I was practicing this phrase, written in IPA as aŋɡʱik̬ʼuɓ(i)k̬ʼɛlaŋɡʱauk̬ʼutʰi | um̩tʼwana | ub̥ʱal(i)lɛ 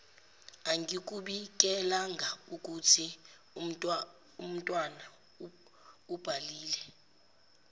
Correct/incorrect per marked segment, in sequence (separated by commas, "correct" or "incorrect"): correct, incorrect